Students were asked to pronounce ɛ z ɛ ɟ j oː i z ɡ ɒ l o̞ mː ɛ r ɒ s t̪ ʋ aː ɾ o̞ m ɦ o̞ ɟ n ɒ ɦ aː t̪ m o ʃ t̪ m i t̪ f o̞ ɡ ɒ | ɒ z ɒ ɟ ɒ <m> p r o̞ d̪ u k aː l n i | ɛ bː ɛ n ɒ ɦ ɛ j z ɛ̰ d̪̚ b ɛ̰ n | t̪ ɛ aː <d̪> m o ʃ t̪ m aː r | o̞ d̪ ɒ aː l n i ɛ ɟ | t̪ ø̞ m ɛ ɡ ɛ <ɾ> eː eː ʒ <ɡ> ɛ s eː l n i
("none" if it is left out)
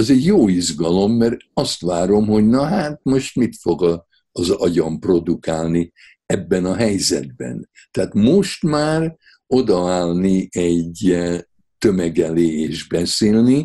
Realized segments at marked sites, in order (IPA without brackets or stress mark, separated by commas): m, t̪, l, b